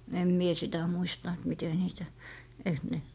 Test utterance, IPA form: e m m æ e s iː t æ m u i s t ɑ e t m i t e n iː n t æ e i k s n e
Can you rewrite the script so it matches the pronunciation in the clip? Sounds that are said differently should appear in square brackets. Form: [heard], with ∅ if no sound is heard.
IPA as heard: e m m [i] e s [i] t æ m u i s t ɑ e t m i t e n iː [∅] t æ e i k s n e